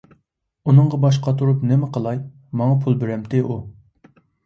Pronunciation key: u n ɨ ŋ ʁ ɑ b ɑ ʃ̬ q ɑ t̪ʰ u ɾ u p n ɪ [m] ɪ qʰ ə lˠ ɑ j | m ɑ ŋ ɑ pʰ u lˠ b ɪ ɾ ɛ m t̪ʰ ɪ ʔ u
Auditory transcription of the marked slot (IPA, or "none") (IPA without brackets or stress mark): m